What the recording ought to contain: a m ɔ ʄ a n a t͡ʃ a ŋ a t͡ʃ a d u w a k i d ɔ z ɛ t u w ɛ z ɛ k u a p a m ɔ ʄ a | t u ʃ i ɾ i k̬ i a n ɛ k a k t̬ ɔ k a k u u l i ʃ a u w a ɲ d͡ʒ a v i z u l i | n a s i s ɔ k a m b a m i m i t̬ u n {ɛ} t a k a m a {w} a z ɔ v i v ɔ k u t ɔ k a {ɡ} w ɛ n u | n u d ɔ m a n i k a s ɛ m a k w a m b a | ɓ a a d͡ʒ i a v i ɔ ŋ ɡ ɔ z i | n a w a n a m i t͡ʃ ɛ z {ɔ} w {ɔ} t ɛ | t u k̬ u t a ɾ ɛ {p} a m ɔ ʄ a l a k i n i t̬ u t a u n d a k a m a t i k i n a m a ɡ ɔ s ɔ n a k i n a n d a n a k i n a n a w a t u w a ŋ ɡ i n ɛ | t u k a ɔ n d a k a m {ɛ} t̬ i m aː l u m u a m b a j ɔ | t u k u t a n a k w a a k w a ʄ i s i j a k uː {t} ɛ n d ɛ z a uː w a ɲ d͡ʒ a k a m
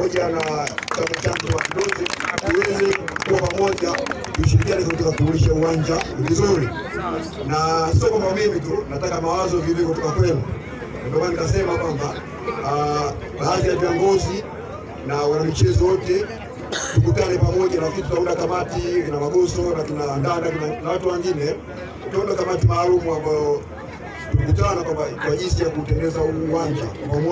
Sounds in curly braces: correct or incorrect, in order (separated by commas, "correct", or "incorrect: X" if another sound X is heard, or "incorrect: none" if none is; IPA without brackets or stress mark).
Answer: incorrect: a, correct, incorrect: k, correct, correct, correct, incorrect: a, correct